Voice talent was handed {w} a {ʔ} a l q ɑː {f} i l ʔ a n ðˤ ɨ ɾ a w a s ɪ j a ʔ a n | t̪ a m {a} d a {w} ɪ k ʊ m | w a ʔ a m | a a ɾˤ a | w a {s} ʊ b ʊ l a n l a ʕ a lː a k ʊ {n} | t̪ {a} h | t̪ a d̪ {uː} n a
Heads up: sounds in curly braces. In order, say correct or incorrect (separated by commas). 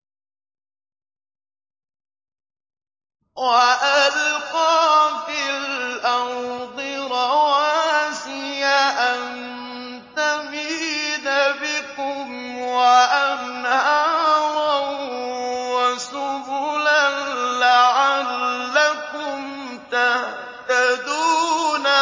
correct, correct, correct, incorrect, incorrect, correct, incorrect, correct, correct